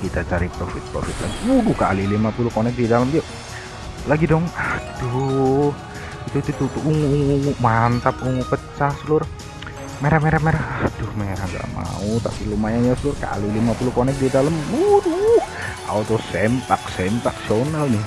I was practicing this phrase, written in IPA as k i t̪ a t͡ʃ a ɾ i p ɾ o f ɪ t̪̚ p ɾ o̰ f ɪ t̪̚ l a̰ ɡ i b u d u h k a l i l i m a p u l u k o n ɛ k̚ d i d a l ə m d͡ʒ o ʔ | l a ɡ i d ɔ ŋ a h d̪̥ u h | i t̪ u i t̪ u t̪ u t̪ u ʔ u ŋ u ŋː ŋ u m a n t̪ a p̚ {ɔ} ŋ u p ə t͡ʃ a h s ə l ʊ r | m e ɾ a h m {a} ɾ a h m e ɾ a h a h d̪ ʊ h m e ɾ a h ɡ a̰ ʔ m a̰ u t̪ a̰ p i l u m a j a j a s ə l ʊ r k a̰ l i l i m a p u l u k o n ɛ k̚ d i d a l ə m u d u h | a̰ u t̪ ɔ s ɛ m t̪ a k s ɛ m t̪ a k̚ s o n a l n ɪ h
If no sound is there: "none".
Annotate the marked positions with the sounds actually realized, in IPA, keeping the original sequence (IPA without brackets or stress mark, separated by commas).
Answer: u, e